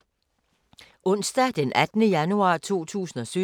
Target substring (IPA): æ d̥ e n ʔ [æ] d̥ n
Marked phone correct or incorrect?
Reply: correct